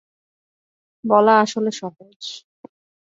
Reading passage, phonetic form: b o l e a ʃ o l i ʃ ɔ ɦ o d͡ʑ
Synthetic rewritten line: b ɔ l a a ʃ o l e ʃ ɔ ɦ o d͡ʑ

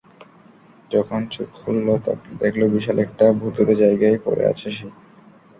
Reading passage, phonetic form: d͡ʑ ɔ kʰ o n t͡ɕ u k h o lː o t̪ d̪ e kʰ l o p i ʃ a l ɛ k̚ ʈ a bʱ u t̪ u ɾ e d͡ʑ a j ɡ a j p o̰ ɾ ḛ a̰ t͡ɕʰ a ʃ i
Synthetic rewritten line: d͡ʑ ɔ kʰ o n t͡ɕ u k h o lː o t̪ d̪ e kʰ l o b i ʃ a l ɛ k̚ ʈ a bʱ u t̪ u ɾ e d͡ʑ a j ɡ a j p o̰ ɾ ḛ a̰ t͡ɕʰ e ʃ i

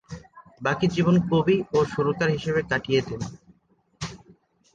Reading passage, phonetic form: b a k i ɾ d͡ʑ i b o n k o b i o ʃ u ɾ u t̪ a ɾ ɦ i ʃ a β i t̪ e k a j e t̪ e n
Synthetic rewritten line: b a k i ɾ d͡ʑ i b o n k o b i o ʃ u ɾ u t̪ a ɾ ɦ i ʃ e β e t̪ a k i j e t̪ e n

